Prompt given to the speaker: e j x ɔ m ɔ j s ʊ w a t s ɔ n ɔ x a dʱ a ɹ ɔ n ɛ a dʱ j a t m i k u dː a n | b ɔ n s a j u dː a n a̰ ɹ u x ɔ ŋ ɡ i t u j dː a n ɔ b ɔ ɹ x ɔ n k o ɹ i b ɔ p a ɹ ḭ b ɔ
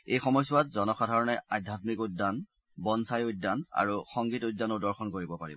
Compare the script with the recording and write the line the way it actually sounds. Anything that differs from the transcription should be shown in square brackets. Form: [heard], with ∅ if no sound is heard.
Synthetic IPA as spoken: e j x ɔ m ɔ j s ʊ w a t [z] ɔ n ɔ x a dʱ a ɹ ɔ n ɛ a dʱ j a t m i k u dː a n | b ɔ n s a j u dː a n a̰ ɹ u x ɔ ŋ ɡ i t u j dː a n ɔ [d] ɔ ɹ x ɔ n k o ɹ i b ɔ p a ɹ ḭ b ɔ

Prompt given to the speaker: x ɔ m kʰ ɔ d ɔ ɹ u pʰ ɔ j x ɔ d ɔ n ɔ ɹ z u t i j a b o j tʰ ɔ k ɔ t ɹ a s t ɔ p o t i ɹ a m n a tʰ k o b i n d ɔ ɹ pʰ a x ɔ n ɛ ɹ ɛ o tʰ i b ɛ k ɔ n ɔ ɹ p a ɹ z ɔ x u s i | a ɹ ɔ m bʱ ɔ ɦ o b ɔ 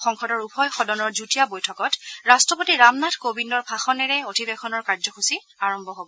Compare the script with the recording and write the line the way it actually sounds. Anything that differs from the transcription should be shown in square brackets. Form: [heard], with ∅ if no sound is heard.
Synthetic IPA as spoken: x ɔ [ŋ] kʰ ɔ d ɔ ɹ u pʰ ɔ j x ɔ d ɔ n ɔ ɹ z u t i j a b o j tʰ ɔ k ɔ t ɹ a s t ɔ p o t i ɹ a m n a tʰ k o b i n d ɔ ɹ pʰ a x ɔ n ɛ ɹ ɛ o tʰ i b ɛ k ɔ n ɔ ɹ [k] a ɹ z ɔ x u s i | a ɹ ɔ m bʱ ɔ ɦ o b ɔ

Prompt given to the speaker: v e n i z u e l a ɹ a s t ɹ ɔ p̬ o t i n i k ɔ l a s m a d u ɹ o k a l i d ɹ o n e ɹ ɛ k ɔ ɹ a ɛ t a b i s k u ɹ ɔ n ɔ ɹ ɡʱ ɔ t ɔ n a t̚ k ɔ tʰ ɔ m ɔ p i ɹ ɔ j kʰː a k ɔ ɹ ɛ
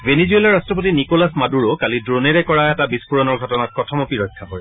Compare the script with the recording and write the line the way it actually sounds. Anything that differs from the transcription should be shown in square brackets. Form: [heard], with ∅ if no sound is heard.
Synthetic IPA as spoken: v e n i z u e l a ɹ a s t ɹ ɔ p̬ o t i n i k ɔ l a s m a d u ɹ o k a l i d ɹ o n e ɹ ɛ k ɔ ɹ a ɛ t a b i s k u ɹ ɔ n ɔ ɹ ɡʱ ɔ t ɔ n a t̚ k ɔ tʰ ɔ m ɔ p i ɹ ɔ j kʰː a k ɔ ɹ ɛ

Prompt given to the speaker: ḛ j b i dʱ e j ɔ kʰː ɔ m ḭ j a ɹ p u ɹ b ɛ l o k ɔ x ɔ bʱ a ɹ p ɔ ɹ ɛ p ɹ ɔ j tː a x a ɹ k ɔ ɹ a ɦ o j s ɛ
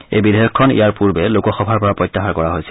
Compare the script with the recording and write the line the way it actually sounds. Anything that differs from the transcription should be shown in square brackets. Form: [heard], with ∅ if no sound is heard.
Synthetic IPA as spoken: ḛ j b i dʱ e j ɔ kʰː ɔ [n] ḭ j a ɹ p u ɹ b ɛ l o k ɔ x ɔ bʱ a ɹ p ɔ ɹ [a] p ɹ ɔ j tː a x a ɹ k ɔ ɹ a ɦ o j s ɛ

